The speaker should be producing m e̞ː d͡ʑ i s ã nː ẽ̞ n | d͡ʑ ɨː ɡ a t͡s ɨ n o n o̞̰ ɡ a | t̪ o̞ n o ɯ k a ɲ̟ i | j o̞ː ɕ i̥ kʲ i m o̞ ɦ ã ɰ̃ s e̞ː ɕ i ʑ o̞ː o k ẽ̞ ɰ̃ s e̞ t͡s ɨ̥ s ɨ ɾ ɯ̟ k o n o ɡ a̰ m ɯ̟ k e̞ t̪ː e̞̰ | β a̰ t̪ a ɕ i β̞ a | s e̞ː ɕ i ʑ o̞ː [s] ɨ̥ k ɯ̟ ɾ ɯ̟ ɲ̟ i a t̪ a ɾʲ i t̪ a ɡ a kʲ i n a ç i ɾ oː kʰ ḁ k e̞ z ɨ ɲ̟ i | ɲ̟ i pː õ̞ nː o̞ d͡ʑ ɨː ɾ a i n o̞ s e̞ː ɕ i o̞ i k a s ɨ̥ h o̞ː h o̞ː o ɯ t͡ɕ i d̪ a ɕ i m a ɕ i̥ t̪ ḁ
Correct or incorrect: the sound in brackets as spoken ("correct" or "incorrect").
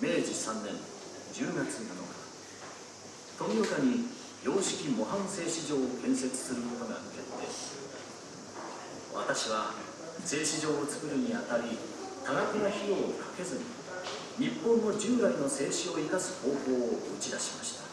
incorrect